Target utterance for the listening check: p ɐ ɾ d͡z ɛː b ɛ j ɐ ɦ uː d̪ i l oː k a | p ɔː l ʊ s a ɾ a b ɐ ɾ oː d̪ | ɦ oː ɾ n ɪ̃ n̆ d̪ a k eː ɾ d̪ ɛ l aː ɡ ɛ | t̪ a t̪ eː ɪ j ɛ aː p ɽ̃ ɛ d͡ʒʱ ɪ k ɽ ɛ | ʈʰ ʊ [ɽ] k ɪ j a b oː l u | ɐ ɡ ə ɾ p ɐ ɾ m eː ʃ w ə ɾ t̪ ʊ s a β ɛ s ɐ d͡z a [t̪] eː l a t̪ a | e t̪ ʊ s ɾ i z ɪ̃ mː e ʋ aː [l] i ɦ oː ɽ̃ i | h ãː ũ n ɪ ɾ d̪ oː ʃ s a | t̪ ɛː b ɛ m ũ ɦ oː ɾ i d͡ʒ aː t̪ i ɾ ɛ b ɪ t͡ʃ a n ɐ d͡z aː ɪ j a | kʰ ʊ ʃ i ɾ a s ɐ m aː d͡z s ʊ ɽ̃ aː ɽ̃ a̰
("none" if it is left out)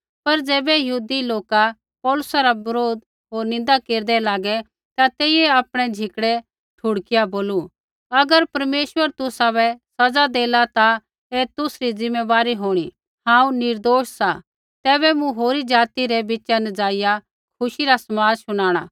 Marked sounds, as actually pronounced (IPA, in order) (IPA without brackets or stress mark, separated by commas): ɽ, d̪, ɾ